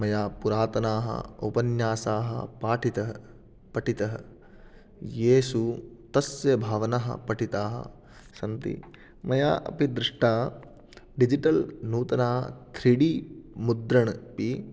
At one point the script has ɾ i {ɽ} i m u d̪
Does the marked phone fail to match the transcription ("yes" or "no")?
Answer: no